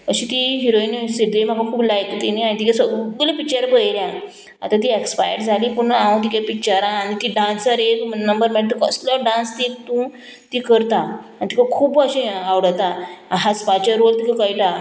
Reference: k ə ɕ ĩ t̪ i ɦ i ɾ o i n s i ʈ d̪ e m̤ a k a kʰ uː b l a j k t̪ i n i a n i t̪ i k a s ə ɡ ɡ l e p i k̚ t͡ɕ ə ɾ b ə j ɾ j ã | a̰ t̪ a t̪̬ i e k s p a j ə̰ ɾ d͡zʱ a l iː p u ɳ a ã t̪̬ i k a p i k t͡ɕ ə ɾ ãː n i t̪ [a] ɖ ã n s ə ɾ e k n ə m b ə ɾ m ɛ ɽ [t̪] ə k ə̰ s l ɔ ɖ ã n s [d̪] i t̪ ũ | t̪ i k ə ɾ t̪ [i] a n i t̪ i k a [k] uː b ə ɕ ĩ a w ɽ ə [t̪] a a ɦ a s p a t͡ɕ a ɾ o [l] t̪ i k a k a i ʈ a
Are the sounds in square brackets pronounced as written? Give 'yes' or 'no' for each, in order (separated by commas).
no, yes, no, no, no, yes, yes